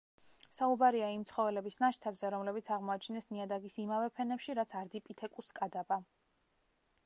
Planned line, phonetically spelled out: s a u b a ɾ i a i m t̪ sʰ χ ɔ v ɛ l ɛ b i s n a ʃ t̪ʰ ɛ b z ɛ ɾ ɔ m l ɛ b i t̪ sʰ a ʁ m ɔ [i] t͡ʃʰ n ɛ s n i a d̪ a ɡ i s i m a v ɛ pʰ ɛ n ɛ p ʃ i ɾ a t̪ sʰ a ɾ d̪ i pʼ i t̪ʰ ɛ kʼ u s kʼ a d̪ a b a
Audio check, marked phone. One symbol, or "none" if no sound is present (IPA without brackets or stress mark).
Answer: a